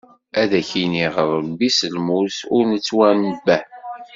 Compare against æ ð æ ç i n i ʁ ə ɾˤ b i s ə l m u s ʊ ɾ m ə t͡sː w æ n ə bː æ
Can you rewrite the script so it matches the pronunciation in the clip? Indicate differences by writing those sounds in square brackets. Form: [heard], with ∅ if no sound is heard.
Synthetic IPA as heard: æ ð æ ç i n i ʁ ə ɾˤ b i s ə l m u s ʊ ɾ [n] ə t͡sː w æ n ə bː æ

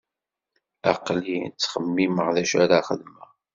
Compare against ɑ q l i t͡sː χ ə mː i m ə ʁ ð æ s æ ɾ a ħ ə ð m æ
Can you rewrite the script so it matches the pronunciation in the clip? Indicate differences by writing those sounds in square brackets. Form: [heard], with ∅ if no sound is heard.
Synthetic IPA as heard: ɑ q l i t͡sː χ ə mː i m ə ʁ ð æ [ʃ] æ ɾ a [χ] ə ð m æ

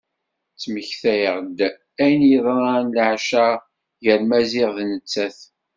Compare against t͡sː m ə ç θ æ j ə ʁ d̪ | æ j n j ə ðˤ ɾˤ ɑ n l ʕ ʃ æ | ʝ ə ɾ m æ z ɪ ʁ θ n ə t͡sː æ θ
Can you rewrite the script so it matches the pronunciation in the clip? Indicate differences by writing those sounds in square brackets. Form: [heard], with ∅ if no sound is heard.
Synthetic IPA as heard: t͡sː m ə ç θ æ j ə ʁ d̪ | æ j n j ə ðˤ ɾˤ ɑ n l ʕ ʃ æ | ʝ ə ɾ m æ z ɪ ʁ [ð] n ə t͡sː æ θ

